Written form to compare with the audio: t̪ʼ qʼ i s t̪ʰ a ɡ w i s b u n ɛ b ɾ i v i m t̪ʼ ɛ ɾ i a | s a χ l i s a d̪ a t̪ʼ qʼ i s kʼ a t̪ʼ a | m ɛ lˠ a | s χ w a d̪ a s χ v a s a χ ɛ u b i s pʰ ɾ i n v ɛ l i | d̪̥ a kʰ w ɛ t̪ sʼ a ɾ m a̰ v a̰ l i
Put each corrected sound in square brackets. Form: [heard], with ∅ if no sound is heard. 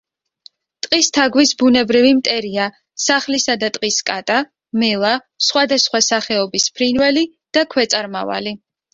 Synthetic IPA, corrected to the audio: t̪ʼ qʼ i s t̪ʰ a ɡ w i s b u n ɛ b ɾ i v i m t̪ʼ ɛ ɾ i a | s a χ l i s a d̪ a t̪ʼ qʼ i s kʼ a t̪ʼ a | m ɛ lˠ a | s χ w a d̪ a s χ [w] a s a χ ɛ [ɔ] b i s pʰ ɾ i n v ɛ l i | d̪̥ a kʰ w ɛ t̪ sʼ a ɾ m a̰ v a̰ l i